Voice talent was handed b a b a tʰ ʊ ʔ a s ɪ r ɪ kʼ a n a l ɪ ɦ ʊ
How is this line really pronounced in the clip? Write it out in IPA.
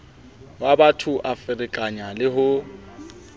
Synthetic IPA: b a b a tʰ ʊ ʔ a f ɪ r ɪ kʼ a ɲ a l ɪ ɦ ʊ